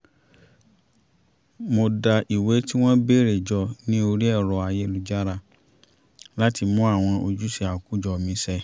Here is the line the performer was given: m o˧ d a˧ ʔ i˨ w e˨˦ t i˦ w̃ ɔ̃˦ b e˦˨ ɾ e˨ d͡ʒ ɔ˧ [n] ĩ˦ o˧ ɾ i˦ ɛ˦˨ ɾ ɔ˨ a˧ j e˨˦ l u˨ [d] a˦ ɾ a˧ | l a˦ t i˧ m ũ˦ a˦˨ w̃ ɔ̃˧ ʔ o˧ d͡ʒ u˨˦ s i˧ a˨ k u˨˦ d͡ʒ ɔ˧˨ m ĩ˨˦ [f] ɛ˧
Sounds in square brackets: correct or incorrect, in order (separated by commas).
correct, incorrect, incorrect